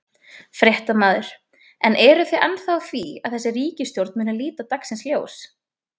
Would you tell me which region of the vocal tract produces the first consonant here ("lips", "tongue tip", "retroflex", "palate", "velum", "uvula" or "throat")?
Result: lips